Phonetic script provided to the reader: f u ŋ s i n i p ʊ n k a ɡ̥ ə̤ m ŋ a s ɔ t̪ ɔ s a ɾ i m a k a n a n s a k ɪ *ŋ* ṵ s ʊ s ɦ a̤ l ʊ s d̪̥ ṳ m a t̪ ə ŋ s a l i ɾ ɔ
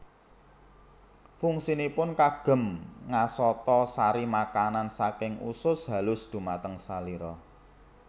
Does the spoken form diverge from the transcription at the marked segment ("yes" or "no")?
no